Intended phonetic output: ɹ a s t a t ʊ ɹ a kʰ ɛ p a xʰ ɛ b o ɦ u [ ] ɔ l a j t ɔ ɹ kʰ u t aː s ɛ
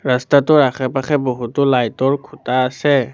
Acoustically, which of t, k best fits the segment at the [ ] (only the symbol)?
t